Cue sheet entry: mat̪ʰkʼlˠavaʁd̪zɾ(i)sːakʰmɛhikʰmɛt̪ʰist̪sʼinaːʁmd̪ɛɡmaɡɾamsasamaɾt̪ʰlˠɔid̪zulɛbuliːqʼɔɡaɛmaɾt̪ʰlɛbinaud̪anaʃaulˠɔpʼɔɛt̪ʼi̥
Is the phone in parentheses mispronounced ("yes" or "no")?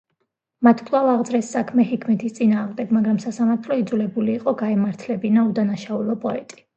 yes